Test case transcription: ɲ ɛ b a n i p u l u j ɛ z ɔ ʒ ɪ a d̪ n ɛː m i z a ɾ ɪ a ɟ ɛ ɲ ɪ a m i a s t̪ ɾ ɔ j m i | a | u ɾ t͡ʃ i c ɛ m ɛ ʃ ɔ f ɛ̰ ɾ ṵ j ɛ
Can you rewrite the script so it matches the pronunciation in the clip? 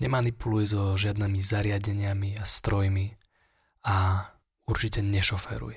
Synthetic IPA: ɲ ɛ m a n i p u l u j ɛ z ɔ ʒ ɪ a d̪ n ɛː m i z a ɾ ɪ a ɟ ɛ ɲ ɪ a m i a s t̪ ɾ ɔ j m i | a | u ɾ t͡ʃ i c ɛ ɲ ɛ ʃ ɔ f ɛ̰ ɾ ṵ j ɛ